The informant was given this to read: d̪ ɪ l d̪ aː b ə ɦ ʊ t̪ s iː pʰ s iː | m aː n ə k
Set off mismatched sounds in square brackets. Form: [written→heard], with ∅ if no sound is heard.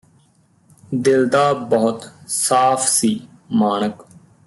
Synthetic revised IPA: d̪ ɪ l d̪ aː b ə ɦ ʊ t̪ s [iː→aː] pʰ s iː | m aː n ə k

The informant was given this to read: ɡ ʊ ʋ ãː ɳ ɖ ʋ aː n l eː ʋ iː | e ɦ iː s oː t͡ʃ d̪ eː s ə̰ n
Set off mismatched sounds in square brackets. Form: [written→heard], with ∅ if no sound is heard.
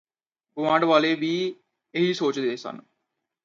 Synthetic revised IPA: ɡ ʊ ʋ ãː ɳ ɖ ʋ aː [n→∅] l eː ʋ iː | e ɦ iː s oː t͡ʃ d̪ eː s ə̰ n

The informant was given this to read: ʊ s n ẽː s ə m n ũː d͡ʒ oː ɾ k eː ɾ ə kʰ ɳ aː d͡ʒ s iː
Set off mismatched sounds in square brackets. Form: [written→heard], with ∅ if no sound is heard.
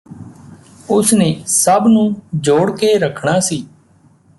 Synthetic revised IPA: ʊ s n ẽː s ə [m→b] n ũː d͡ʒ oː [ɾ→ɽ] k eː ɾ ə kʰ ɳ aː [d͡ʒ→∅] s iː

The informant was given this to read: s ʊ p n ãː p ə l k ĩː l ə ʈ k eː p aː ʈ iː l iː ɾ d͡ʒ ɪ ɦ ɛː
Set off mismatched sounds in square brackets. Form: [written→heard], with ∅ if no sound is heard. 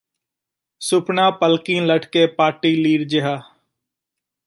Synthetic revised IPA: s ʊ p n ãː p ə l k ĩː l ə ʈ k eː p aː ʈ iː l iː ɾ d͡ʒ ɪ ɦ [ɛː→aː]

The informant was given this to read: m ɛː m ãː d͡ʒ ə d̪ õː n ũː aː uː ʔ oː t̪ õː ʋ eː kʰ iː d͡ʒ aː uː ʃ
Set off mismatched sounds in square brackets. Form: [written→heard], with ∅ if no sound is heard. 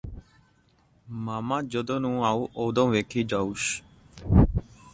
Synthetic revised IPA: m [ɛː→aː] m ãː d͡ʒ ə d̪ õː n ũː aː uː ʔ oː [t̪→d̪] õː ʋ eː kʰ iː d͡ʒ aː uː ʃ

